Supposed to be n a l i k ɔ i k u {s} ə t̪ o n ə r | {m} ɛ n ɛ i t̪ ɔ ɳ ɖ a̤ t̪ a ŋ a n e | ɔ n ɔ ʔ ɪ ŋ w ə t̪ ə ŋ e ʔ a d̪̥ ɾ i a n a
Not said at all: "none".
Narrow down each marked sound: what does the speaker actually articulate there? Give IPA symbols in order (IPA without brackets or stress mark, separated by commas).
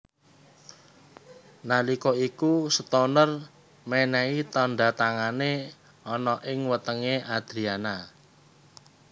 s, m